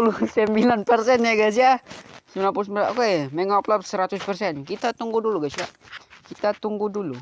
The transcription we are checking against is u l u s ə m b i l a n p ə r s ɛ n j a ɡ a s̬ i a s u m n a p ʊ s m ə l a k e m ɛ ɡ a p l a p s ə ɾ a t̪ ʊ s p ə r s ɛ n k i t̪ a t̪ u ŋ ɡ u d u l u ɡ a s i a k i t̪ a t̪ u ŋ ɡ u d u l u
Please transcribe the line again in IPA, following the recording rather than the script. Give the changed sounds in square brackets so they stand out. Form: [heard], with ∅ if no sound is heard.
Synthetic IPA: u l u s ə m b i l a n p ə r s ɛ n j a ɡ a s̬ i a s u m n a p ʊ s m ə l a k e m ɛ [ŋ] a p l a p s ə ɾ a t̪ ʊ s p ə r s ɛ n k i t̪ a t̪ u ŋ ɡ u d u l u ɡ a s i a k i t̪ a t̪ u ŋ ɡ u d u l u

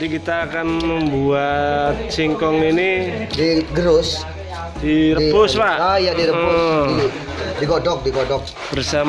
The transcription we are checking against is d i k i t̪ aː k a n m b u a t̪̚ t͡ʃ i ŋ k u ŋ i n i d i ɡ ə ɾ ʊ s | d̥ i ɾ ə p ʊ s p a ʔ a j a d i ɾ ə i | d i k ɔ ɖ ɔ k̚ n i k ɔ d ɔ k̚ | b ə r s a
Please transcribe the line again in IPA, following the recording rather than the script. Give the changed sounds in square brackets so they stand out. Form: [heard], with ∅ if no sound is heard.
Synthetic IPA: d i k i t̪ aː k a n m b u a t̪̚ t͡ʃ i ŋ k [ɔ] ŋ i n i d i ɡ ə ɾ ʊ s | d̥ i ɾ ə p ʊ s p a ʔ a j a d i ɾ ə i | d i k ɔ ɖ ɔ k̚ [d] i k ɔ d ɔ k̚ | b ə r s a

